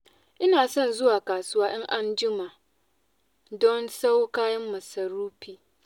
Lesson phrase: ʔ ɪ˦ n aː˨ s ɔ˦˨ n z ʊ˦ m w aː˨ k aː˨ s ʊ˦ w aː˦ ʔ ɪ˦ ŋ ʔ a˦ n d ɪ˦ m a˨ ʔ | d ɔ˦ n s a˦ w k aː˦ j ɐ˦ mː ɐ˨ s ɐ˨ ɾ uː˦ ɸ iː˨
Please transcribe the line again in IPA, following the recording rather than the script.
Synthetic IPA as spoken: ʔ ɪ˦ n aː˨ s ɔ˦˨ n z ʊ˦ w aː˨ k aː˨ s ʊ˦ w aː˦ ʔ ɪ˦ ŋ ʔ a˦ n d͡ʒ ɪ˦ m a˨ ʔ | d ɔ˦ n s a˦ w k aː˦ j ɐ˦ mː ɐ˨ s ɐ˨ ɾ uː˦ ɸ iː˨

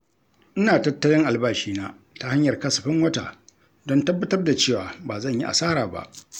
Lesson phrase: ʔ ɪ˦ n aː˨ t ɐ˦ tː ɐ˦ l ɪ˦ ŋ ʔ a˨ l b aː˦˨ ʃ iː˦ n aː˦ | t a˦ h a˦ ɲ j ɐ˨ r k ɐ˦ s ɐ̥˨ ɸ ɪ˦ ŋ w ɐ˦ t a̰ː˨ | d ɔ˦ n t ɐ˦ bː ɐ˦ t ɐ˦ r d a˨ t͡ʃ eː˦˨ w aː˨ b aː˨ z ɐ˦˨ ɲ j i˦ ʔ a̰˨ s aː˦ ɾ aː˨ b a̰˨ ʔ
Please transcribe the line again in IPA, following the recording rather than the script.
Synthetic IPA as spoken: ʔ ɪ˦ n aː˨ t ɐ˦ tː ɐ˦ l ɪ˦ ŋ ʔ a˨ l b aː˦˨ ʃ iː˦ n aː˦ | t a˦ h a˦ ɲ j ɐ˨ r k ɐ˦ s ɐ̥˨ ɸ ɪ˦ ŋ w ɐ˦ t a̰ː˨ | d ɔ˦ n t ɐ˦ bː ɐ˦ t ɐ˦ r d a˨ t͡ʃ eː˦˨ w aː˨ b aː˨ z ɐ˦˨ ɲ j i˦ ʔ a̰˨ s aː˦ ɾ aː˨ b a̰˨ ʔ

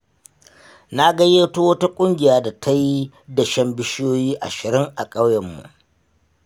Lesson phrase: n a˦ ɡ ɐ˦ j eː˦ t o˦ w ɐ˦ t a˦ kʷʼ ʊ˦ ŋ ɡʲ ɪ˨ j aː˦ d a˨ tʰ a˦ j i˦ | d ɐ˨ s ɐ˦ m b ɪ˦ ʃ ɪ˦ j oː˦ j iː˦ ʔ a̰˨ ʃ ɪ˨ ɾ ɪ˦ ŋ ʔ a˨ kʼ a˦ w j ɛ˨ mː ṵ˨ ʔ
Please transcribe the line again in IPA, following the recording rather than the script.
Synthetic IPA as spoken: n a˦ ɡ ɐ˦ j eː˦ t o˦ w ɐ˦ t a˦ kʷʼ ʊ˦ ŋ ɡʲ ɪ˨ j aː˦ d a˨ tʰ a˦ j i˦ | d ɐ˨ ʃ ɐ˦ m b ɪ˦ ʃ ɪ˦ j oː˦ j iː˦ ʔ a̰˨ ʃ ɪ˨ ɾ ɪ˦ ŋ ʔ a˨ kʼ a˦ w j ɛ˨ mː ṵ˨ ʔ

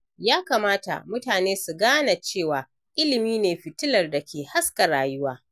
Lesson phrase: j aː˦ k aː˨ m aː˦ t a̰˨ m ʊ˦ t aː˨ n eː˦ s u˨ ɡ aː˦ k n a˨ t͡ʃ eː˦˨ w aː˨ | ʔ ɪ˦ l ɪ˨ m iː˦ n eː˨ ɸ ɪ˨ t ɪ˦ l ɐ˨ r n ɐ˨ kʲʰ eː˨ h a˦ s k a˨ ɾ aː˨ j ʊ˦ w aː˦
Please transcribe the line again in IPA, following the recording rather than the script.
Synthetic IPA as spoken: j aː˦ k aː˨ m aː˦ t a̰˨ m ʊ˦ t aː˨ n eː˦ s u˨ ɡ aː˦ n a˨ t͡ʃ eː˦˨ w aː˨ | ʔ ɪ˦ l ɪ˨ m iː˦ n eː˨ ɸ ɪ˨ t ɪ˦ l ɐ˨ r d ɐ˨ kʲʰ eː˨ h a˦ s k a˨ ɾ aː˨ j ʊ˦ w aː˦

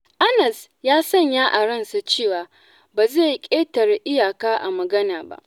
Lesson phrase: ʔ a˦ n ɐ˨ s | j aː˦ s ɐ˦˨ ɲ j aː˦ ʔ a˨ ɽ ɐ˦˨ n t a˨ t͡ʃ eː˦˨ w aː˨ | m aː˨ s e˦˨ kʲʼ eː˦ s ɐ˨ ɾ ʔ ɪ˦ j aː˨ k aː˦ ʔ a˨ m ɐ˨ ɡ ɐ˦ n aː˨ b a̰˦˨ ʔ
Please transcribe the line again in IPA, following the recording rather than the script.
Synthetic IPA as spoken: ʔ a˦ n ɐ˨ s | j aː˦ s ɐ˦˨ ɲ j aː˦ ʔ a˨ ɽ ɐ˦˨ n s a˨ t͡ʃ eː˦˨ w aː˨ | b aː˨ z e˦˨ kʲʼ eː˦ t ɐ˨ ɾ ʔ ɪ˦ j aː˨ k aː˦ ʔ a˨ m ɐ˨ ɡ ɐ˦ n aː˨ b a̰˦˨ ʔ

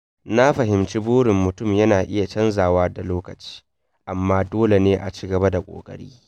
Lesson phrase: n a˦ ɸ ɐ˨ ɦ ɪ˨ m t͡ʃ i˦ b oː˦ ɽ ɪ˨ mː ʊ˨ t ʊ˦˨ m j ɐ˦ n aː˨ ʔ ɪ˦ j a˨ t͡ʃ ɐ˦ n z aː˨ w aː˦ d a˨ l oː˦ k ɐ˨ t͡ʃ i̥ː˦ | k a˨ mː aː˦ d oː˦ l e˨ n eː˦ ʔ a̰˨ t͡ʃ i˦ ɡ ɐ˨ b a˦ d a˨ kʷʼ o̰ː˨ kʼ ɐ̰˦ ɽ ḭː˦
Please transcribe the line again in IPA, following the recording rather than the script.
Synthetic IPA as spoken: n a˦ ɸ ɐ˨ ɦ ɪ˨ m t͡ʃ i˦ b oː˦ ɽ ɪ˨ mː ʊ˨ t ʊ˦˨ m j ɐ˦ n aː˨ ʔ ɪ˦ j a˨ t͡ʃ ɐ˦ n z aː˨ w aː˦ d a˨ l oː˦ k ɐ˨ t͡ʃ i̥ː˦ | ʔ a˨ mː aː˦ d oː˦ l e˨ n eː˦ ʔ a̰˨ t͡ʃ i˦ ɡ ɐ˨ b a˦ d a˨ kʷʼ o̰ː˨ kʼ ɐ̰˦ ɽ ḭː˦

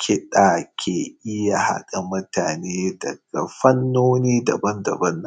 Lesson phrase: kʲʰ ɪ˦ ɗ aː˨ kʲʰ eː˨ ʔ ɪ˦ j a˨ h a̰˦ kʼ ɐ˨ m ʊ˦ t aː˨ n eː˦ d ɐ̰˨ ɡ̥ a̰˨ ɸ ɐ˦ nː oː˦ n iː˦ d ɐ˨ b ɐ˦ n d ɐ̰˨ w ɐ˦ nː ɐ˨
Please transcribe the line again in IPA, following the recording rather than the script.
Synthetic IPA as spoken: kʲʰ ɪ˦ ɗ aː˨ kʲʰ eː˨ ʔ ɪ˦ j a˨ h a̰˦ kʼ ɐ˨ m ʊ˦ t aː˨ n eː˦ d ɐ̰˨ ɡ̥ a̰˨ ɸ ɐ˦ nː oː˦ n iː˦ d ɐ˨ b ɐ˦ n d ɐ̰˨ b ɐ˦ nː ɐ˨

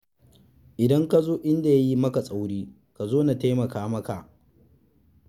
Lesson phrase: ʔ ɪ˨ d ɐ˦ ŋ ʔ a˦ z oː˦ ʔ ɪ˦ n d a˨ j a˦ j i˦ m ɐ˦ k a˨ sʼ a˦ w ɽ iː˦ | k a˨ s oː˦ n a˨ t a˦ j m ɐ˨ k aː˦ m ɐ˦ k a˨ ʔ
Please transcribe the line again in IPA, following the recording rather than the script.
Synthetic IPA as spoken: ʔ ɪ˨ d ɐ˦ ŋ k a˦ z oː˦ ʔ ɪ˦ n d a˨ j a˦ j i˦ m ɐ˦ k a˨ sʼ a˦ w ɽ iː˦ | k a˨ z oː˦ n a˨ t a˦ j m ɐ˨ k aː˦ m ɐ˦ k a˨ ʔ

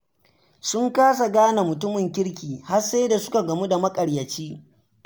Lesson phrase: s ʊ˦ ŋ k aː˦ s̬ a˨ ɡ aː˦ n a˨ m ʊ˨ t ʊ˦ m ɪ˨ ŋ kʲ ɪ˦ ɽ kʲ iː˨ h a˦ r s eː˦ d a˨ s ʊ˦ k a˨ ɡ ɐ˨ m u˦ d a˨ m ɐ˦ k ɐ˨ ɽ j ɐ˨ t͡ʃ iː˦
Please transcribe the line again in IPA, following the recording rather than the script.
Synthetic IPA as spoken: s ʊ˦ ŋ k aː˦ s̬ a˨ ɡ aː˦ n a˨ m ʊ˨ t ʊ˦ m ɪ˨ ŋ kʲ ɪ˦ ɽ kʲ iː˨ h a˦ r s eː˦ d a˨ s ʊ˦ k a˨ ɡ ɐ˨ m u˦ d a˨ m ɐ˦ kʼ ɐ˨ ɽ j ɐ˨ t͡ʃ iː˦

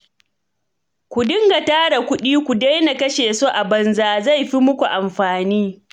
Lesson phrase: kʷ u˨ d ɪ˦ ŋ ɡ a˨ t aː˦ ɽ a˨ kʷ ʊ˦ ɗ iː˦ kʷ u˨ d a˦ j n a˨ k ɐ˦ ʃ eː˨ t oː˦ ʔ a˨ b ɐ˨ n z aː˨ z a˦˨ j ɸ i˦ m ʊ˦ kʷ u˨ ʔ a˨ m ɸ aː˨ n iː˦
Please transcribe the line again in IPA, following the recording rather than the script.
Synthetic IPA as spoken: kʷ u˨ d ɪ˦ ŋ ɡ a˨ t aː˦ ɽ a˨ kʷ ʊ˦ ɗ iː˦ kʷ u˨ d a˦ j n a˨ k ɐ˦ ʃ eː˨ s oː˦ ʔ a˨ b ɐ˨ n z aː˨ z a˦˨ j ɸ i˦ m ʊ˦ kʷ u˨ ʔ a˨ m ɸ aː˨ n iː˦

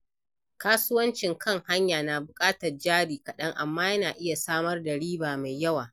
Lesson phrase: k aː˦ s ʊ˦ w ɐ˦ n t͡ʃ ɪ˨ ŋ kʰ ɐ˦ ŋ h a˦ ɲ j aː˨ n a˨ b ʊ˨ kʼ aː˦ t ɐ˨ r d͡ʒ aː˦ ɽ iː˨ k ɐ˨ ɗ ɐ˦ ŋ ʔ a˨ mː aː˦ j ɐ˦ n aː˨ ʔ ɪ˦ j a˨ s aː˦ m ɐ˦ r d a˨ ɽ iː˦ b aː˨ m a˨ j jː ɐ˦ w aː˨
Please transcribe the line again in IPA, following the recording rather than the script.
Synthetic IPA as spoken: k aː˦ s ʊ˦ w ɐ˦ n t͡ʃ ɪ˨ ŋ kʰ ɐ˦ ŋ h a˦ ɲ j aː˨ n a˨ b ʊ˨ kʼ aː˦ t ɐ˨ r d͡ʒ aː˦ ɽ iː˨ k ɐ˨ ɗ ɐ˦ ŋ ʔ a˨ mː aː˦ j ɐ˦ n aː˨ ʔ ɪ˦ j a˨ s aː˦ m ɐ˦ r d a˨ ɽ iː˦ b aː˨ m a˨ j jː ɐ˦ w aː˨

